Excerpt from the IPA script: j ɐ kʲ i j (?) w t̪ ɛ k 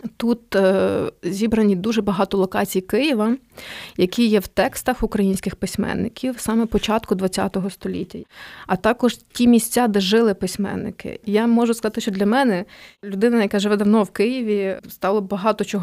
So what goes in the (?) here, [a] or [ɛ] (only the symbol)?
ɛ